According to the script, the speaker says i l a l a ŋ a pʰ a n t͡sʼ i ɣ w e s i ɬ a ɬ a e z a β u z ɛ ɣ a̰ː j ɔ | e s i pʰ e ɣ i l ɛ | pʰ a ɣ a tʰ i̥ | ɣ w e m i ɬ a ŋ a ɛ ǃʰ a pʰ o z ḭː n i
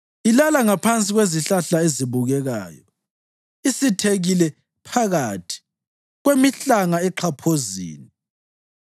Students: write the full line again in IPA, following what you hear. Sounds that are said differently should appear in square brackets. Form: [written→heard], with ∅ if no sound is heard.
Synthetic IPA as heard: i l a l a ŋ a pʰ a n t͡sʼ i ɣ w e [s→z] i ɬ a ɬ a e z [a→i] β u [z→ɣ] ɛ ɣ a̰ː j ɔ | [e→i] s i [pʰ→tʰ] e ɣ i l ɛ | pʰ a ɣ a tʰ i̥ | ɣ w e m i ɬ a ŋ a ɛ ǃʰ a pʰ o z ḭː n i

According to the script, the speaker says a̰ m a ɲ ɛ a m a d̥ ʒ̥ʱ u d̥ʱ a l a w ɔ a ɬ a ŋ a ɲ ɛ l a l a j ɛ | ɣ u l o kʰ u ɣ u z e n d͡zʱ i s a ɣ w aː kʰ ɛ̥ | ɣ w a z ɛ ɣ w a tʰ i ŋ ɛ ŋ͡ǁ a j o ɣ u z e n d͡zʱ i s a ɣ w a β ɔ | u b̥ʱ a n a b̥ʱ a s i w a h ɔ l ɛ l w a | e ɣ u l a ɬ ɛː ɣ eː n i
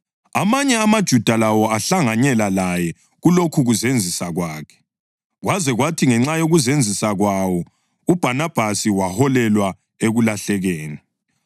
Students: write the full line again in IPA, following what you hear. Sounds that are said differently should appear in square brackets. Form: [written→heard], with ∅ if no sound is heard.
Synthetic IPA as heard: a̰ m a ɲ ɛ a m a d̥ ʒ̥ʱ u d̥ʱ a l a w ɔ a ɬ a ŋ a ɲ ɛ l a l a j ɛ | ɣ u l o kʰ u ɣ u z e n d͡zʱ i s a ɣ w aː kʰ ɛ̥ | ɣ w a z ɛ ɣ w a tʰ i ŋ ɛ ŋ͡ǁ a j o ɣ u z e n d͡zʱ i s a ɣ w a [β→w] ɔ | u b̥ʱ a n a b̥ʱ a s i w a h ɔ l ɛ l w a | e ɣ u l a ɬ [ɛː→ɛ] ɣ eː n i

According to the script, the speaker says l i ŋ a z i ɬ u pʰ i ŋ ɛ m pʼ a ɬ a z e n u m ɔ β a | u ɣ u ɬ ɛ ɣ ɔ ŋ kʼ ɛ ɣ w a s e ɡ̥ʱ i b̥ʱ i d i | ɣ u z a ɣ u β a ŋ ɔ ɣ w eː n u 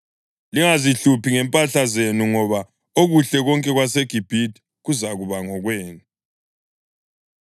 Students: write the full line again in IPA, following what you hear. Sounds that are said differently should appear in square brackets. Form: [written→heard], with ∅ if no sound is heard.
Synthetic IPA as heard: l i ŋ a z i ɬ u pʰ i ŋ ɛ m pʼ a ɬ a z e n u [m→ŋ] ɔ β a | [u→o] ɣ u ɬ ɛ ɣ ɔ ŋ kʼ ɛ ɣ w a s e ɡ̥ʱ i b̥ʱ i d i | ɣ u z a ɣ u β a ŋ ɔ ɣ w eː n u

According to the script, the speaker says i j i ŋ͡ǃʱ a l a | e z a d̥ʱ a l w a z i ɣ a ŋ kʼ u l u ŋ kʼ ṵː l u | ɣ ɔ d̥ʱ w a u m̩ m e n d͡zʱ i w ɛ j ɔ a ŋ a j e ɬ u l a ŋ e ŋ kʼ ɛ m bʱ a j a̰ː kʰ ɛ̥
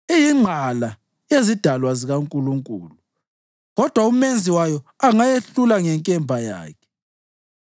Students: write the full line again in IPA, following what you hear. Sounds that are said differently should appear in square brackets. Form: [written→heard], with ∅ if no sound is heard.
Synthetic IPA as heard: i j i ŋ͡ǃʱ a l a | e z [a→i] d̥ʱ a l w a z i ɣ a ŋ kʼ u l u ŋ kʼ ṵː l u | ɣ ɔ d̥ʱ w a u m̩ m e n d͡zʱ i w [ɛ→a] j ɔ a ŋ a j e ɬ u l a ŋ [e→ɛ] ŋ kʼ ɛ m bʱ a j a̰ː kʰ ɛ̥

